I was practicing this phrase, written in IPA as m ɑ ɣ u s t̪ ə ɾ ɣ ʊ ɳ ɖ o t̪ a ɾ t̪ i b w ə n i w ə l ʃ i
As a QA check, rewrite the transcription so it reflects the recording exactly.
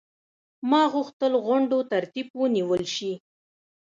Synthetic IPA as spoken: m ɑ ɣ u x t̪ ə l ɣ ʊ ɳ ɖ o t̪ a ɾ t̪ i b w ə n i w ə l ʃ i